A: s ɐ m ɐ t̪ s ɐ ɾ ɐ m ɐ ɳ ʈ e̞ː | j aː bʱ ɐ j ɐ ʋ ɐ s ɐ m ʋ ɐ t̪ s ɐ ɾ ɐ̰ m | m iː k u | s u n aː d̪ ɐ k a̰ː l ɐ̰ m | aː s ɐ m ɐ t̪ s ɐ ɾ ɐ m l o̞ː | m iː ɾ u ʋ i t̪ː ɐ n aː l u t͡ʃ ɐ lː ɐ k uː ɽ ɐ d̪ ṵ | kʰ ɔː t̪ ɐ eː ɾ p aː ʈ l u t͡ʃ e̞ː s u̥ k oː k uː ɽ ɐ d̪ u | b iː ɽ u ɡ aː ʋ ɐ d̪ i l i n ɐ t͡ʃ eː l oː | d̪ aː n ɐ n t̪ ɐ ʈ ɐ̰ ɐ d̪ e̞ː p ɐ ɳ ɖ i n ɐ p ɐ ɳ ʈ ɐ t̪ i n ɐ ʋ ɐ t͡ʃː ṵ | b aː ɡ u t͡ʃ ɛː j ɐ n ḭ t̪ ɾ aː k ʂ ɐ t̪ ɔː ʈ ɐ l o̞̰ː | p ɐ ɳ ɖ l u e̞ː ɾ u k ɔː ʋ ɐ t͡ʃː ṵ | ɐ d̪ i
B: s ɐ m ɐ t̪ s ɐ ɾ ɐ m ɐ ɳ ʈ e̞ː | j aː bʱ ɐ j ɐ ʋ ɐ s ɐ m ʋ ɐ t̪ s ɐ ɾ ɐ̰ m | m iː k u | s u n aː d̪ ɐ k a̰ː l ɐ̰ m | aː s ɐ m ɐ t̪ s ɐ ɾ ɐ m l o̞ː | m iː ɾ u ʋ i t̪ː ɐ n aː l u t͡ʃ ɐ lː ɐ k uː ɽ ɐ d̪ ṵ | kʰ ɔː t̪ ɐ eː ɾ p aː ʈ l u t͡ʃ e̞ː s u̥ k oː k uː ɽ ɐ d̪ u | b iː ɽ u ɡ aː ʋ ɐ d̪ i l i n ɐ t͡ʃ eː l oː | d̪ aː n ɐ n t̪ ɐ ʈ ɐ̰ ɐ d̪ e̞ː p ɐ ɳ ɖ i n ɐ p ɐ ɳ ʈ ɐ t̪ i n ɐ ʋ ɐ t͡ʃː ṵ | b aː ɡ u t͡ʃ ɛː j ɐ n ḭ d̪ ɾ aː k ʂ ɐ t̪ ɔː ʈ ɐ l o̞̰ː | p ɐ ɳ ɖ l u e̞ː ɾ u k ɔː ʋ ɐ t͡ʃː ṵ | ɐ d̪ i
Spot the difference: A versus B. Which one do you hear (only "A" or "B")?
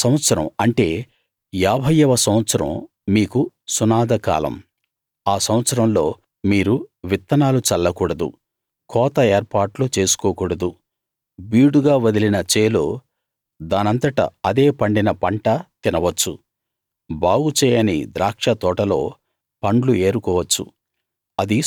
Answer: B